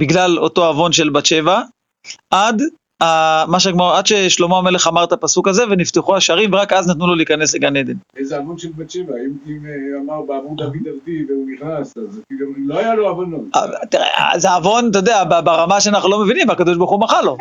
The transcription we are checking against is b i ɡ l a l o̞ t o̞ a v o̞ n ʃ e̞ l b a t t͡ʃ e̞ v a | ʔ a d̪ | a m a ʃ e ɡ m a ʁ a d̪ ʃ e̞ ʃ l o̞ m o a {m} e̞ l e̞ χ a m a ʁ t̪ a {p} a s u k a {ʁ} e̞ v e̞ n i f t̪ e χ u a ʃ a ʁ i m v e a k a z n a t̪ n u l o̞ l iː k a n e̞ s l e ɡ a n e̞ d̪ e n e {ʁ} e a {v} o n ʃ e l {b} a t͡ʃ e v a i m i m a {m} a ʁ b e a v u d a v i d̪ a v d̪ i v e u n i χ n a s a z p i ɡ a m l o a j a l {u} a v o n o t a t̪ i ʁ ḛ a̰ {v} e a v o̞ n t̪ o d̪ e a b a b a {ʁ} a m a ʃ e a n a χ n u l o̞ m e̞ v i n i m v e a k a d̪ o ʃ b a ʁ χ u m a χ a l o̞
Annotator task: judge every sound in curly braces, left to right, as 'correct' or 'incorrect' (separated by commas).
correct, correct, incorrect, incorrect, correct, correct, correct, incorrect, incorrect, correct